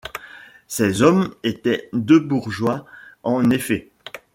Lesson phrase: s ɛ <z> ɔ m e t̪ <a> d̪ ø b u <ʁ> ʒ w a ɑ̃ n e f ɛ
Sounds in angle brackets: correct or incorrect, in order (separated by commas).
correct, incorrect, correct